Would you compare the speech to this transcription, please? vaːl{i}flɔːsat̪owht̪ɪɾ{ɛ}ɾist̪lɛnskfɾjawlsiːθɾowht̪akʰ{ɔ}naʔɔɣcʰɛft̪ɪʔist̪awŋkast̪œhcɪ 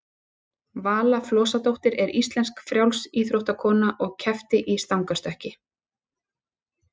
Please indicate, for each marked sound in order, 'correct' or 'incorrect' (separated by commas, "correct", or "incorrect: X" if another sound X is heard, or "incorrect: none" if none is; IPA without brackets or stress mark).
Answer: incorrect: a, correct, incorrect: ɔː